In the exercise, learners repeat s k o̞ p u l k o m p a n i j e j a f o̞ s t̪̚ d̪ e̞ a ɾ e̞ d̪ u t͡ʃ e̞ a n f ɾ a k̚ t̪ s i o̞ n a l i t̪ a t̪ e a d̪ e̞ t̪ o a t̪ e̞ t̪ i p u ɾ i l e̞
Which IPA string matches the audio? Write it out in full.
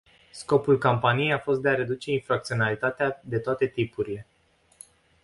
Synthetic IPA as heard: s k o̞ p u l k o m p a n i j e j a f o̞ s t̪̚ d̪ e̞ a ɾ e̞ d̪ u t͡ʃ e̞ i n f ɾ a k̚ t̪ s i o̞ n a l i t̪ a t̪ e a d̪ e̞ t̪ o a t̪ e̞ t̪ i p u ɾ i l e̞